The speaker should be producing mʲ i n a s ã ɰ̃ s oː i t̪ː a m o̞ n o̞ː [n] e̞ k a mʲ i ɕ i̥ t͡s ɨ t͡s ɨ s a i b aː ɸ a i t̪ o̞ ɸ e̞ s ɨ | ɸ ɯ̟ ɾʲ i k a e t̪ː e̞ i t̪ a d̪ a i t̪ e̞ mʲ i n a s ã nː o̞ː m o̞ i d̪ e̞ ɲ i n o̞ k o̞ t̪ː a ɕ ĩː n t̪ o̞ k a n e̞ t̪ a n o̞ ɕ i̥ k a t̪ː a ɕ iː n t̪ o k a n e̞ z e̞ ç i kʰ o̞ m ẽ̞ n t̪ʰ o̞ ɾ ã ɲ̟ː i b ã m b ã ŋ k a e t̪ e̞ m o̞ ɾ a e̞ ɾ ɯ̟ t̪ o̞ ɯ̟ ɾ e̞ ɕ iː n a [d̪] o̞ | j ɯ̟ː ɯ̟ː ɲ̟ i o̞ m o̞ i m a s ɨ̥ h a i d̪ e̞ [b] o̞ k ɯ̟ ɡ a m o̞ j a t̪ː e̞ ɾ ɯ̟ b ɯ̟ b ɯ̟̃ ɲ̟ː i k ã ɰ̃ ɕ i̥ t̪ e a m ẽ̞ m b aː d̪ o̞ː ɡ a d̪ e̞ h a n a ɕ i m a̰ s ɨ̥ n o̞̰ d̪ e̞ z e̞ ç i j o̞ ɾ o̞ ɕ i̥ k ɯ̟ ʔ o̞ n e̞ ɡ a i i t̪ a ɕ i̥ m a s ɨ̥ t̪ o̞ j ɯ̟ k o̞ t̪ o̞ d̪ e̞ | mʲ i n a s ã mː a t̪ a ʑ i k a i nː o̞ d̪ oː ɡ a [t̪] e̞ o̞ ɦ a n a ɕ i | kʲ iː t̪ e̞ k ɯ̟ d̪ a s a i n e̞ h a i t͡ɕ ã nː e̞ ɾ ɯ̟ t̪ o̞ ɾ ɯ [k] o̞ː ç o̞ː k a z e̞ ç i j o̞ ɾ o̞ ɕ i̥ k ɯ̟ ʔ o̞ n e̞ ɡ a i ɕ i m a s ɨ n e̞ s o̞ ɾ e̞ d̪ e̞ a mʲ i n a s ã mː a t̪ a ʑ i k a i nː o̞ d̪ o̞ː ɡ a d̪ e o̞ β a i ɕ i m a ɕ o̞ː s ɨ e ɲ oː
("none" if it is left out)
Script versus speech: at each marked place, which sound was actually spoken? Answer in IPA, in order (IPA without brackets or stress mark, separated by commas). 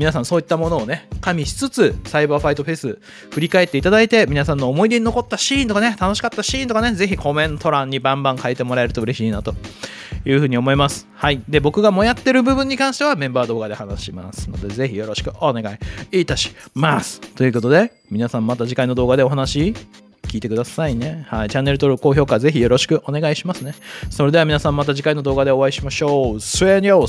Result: n, t̪, b, d̪, k